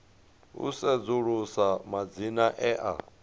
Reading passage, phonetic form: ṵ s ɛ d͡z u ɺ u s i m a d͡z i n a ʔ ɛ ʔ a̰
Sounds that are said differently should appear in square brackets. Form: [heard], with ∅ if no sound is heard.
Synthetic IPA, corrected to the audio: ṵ s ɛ d͡z u ɺ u s [a] m a d͡z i n a ʔ ɛ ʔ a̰